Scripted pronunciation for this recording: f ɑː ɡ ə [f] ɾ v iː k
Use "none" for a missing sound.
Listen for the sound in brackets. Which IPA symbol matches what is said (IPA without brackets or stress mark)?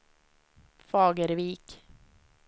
none